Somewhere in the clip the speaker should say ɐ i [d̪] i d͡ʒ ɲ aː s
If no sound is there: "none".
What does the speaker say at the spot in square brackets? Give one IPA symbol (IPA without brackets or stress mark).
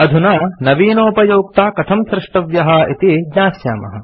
t̪